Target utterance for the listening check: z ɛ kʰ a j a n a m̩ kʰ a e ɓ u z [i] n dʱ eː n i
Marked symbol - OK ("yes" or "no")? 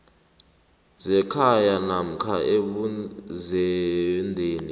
no